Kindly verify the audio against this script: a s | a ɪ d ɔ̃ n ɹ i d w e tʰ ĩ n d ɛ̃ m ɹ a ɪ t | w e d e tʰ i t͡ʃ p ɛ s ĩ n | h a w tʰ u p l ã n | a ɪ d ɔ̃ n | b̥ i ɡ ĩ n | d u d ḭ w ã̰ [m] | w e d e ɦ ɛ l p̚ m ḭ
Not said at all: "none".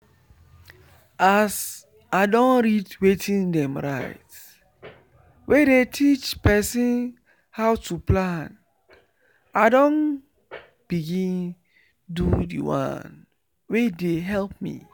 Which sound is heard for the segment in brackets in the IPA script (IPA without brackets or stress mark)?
n